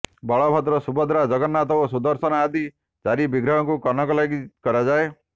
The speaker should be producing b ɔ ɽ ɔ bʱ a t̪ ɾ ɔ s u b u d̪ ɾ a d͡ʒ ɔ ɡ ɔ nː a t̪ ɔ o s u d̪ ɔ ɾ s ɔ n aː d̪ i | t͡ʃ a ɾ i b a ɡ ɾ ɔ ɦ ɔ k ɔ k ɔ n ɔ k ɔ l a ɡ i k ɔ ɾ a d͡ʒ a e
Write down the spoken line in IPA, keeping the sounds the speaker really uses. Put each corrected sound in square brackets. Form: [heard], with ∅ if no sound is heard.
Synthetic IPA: b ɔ [ɭ] ɔ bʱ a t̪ ɾ ɔ s u b [ɔ] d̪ ɾ a d͡ʒ ɔ ɡ ɔ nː a t̪ ɔ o s u d̪ ɔ ɾ s ɔ n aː d̪ i | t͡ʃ a ɾ i b [i] ɡ ɾ ɔ ɦ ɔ k [u] k ɔ n ɔ k ɔ l a ɡ i k ɔ ɾ a d͡ʒ a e